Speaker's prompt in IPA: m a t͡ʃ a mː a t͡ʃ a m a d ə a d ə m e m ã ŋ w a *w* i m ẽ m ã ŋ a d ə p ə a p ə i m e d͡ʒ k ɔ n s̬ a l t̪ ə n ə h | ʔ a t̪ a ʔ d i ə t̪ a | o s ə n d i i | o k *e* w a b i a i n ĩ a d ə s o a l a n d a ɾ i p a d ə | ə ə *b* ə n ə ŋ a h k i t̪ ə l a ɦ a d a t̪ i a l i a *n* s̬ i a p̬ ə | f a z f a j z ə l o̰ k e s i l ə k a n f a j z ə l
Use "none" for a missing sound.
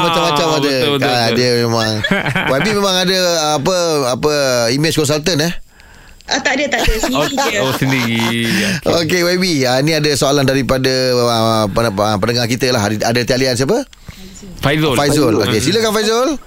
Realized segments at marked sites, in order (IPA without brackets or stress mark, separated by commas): b, e, p, n